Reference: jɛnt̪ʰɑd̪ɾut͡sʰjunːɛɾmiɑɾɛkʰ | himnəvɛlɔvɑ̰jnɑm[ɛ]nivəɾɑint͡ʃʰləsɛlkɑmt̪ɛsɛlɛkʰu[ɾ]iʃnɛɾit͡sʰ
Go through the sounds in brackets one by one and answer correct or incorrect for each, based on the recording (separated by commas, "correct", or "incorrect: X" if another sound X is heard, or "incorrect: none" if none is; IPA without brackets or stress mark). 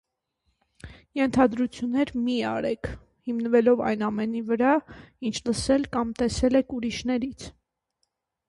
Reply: correct, correct